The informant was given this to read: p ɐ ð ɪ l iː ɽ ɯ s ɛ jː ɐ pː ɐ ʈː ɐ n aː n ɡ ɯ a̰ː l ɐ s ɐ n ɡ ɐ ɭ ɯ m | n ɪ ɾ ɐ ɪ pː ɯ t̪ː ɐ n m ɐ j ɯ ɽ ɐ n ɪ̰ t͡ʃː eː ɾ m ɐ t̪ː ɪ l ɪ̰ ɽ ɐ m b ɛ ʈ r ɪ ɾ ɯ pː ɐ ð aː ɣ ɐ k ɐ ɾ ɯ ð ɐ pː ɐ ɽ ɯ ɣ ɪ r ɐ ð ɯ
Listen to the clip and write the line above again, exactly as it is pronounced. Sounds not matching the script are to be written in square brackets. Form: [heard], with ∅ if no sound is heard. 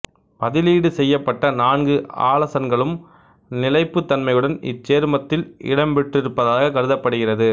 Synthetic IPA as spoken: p ɐ ð ɪ l iː ɽ ɯ s ɛ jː ɐ pː ɐ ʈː ɐ n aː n ɡ ɯ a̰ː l ɐ s ɐ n ɡ ɐ ɭ ɯ m | n ɪ [l] ɐ ɪ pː ɯ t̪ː ɐ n m ɐ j ɯ ɽ ɐ n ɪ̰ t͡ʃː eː ɾ m ɐ t̪ː ɪ l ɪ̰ ɽ ɐ m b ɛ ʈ r ɪ ɾ ɯ pː ɐ ð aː ɣ ɐ k ɐ ɾ ɯ ð ɐ pː ɐ ɽ ɯ ɣ ɪ r ɐ ð ɯ